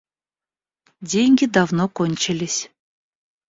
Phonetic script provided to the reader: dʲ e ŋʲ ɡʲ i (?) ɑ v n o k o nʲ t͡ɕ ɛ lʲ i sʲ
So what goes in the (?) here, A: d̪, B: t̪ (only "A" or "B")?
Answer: A